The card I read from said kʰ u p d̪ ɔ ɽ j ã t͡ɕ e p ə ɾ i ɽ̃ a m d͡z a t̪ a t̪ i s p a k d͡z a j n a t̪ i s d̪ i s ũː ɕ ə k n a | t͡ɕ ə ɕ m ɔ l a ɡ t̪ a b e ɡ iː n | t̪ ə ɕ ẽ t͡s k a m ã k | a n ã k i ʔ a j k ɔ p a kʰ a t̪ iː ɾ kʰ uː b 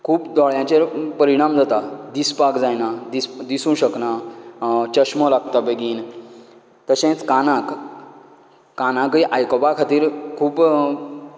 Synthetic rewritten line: kʰ uː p d̪ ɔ ɭ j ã t͡ɕ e p ə ɾ i ɽ̃ a m d͡z a t̪ a d̪ i s p a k d͡z a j n a d̪ i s d̪ i s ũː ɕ ə k n a | t͡ɕ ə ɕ m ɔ l a ɡ t̪ a b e ɡ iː n | t̪ ə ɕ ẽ t͡s k a n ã k | a n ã k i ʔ a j k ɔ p a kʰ a t̪ iː ɾ kʰ uː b